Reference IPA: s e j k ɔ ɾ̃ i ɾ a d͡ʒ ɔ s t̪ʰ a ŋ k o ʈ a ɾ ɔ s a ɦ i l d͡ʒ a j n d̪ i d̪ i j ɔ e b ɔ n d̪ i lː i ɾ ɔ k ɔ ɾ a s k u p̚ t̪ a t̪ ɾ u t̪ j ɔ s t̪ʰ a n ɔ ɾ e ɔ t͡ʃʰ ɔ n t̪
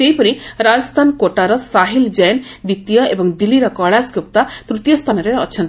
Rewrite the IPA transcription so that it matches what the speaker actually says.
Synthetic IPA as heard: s e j p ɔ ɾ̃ i ɾ a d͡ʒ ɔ s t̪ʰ a n k o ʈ a ɾ ɔ s a ɦ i l d͡ʒ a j n d̪ i t̪ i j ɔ e b ɔ ŋ d̪ i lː i ɾ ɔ k ɔ ɭ a s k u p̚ t̪ a t̪ ɾ u t̪ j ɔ s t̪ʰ a n ɔ ɾ e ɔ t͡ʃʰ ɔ n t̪